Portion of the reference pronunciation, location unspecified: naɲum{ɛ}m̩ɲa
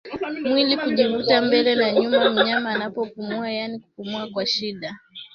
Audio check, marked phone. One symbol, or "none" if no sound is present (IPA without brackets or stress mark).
a